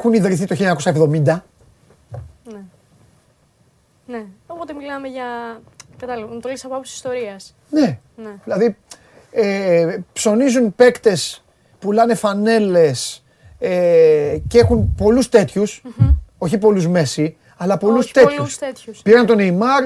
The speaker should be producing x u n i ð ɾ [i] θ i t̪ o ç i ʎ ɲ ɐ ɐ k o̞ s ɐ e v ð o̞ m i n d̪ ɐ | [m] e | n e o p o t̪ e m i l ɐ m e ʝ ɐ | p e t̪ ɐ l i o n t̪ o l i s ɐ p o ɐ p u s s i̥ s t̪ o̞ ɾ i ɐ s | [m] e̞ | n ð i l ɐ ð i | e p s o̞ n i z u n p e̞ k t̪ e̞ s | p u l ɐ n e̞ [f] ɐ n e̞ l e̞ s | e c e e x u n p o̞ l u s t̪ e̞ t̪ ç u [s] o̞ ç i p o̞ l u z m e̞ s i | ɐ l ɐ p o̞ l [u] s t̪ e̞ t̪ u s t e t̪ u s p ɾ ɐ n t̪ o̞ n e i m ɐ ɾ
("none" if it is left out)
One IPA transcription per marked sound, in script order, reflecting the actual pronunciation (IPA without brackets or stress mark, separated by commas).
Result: i, n, n, f, s, u